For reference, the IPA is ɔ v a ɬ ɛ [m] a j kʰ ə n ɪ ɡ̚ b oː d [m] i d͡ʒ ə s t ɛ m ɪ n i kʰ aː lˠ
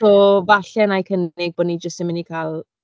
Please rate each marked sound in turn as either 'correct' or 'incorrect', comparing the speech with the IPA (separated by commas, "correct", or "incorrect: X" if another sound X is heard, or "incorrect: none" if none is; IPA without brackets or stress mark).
incorrect: n, incorrect: n